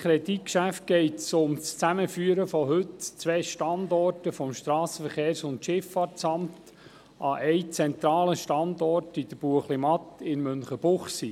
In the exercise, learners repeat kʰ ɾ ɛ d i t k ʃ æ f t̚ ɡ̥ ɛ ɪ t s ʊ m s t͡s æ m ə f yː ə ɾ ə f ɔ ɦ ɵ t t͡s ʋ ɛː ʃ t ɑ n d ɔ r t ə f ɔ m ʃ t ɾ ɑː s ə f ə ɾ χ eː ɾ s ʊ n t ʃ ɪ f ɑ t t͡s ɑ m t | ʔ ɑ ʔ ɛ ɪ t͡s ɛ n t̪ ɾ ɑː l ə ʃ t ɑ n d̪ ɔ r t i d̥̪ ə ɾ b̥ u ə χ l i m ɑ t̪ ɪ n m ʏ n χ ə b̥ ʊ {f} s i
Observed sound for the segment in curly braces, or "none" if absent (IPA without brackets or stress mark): χ